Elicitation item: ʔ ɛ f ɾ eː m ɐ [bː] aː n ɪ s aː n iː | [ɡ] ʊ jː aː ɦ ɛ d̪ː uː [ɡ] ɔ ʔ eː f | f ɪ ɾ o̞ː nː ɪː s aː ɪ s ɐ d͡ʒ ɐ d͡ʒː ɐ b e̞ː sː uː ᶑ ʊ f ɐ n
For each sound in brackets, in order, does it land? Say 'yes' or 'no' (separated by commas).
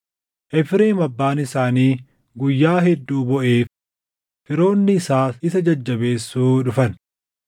yes, yes, no